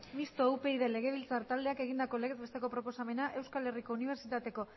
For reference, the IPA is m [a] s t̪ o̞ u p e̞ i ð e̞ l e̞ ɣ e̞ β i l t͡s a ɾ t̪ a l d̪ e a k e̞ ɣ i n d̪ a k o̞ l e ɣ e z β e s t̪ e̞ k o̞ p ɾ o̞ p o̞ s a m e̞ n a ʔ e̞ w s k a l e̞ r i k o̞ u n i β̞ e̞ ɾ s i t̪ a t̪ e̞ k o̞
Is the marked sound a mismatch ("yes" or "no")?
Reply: yes